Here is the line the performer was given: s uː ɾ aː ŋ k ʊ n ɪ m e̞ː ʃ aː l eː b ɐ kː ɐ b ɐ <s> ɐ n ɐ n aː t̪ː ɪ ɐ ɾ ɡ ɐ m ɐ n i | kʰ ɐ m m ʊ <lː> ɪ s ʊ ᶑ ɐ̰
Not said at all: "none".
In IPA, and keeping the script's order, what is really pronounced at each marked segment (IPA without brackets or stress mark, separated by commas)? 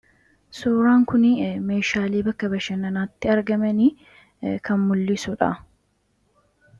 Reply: ʃ, lː